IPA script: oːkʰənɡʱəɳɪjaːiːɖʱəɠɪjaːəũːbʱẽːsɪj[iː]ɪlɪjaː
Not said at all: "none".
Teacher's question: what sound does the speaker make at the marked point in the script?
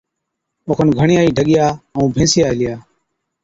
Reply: aː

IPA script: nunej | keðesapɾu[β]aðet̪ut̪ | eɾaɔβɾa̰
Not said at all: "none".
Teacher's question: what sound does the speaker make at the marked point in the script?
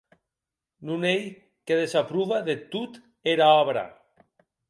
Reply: β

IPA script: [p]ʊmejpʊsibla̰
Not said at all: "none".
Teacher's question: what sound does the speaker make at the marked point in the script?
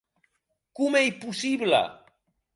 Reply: k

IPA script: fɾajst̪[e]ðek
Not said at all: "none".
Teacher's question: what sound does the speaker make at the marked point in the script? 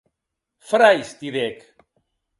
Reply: i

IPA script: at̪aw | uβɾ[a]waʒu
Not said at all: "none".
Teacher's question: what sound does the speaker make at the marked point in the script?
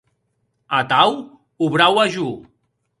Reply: a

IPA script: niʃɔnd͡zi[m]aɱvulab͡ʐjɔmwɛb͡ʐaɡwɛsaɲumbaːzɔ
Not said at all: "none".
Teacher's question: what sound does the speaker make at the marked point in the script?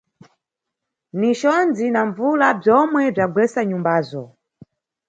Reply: n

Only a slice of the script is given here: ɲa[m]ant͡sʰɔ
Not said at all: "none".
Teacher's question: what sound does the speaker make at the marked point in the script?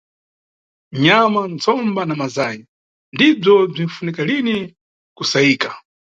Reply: m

